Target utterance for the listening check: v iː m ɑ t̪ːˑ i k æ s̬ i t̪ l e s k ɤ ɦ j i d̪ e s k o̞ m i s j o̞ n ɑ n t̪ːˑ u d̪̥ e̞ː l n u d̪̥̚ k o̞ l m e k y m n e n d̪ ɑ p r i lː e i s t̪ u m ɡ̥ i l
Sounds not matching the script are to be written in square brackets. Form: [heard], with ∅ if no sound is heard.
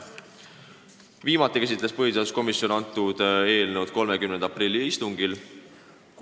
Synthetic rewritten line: v iː m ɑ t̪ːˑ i k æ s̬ i t̪ l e s [p] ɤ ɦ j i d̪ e s k o̞ m i s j o̞ n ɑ n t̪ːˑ u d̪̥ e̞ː l n u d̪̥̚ k o̞ l m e k y m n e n d̪ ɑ p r i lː [i] i s t̪ u [ŋ] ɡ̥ i l